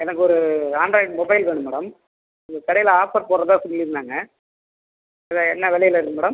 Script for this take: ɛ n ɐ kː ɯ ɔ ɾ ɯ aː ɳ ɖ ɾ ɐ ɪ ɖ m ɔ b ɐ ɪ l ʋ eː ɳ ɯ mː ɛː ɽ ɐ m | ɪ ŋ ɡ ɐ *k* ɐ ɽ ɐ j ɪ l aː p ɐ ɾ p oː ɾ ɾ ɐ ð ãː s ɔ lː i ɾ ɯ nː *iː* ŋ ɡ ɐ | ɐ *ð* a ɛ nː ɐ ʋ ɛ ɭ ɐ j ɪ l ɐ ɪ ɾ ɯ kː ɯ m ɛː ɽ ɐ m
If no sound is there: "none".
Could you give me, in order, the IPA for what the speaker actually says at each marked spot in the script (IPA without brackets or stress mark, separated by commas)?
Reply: k, aː, ð